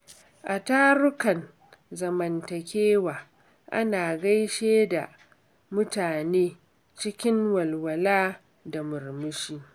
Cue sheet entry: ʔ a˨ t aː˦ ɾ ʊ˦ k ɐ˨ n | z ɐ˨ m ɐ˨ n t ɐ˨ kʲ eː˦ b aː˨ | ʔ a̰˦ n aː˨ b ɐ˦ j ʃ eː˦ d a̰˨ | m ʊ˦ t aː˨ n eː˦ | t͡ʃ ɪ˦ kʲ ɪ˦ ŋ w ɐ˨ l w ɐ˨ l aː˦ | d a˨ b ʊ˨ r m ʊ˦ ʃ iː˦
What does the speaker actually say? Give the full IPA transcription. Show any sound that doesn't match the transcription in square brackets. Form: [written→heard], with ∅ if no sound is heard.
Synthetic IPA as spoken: ʔ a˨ t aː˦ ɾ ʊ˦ k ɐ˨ n | z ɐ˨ m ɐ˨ n t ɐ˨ kʲ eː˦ [b→w] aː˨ | ʔ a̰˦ n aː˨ [b→ɡ] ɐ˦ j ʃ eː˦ d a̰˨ | m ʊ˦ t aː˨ n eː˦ | t͡ʃ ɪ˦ kʲ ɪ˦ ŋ w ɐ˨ l w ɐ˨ l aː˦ | d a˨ [b→m] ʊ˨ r m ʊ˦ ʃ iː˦